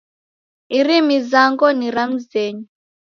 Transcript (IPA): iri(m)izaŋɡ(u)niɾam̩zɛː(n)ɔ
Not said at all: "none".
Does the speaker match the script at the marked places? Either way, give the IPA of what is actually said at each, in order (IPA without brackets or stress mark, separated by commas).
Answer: m, ɔ, ɲ